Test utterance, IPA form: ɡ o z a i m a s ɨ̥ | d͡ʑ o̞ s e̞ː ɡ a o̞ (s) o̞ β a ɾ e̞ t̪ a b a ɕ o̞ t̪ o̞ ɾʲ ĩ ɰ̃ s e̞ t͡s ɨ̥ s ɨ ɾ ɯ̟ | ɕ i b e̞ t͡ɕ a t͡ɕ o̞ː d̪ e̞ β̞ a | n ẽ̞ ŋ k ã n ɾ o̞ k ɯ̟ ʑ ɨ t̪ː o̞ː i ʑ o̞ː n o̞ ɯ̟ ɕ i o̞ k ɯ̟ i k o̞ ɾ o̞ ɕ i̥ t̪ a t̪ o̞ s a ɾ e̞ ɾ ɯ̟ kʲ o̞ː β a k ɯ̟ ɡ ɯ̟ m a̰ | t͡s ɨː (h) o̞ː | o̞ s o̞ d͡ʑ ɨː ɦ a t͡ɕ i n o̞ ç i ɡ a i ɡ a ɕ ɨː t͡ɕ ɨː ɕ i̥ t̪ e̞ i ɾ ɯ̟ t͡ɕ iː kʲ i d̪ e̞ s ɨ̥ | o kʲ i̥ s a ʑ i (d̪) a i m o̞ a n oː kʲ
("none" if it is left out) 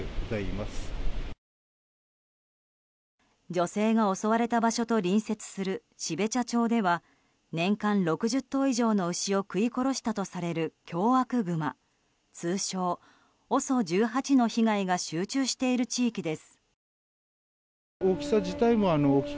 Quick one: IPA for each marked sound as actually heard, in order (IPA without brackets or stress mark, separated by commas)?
s, ɕ, t̪